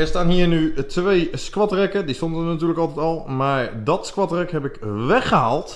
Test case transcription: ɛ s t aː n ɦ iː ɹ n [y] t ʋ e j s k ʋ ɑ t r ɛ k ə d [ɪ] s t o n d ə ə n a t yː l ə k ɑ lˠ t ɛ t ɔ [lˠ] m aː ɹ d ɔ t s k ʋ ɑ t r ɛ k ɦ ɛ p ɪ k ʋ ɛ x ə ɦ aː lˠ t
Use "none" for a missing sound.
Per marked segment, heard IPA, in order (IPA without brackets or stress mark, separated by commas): y, i, lˠ